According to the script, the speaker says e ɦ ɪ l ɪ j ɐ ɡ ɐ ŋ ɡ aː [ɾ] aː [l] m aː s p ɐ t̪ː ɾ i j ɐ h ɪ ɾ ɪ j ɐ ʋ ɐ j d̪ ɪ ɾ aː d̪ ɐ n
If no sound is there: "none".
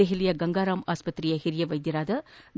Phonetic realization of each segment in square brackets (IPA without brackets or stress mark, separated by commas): ɾ, none